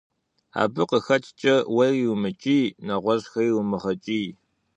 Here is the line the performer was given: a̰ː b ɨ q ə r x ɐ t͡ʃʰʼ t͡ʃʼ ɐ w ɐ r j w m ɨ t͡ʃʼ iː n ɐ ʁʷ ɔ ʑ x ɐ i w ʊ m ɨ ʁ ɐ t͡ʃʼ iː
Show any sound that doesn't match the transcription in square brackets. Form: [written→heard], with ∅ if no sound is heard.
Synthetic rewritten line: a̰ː b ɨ q ə [r→∅] x ɐ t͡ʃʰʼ t͡ʃʼ ɐ w ɐ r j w m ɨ t͡ʃʼ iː n ɐ ʁʷ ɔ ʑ x ɐ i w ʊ m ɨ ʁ ɐ t͡ʃʼ iː